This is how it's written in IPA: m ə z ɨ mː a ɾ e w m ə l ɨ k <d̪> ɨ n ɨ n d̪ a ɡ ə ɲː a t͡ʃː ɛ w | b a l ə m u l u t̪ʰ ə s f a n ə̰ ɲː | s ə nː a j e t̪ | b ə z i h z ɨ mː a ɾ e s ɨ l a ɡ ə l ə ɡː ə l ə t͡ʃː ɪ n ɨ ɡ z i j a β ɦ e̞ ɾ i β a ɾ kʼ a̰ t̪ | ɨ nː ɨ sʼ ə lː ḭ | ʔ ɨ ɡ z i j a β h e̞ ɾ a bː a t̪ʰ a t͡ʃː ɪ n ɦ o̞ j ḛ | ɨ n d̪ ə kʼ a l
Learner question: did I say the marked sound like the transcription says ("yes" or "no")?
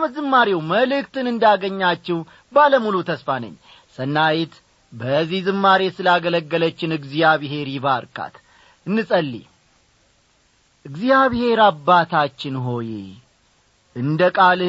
no